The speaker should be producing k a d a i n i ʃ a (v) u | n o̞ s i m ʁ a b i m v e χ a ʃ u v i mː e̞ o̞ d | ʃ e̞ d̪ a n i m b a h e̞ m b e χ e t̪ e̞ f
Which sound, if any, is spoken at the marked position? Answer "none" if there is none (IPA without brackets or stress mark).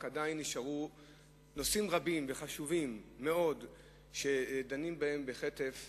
ʁ